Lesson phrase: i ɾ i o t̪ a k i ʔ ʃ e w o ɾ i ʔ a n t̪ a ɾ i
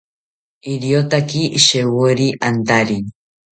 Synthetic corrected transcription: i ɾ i o t̪ a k i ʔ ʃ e w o ɾ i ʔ a n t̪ a ɾ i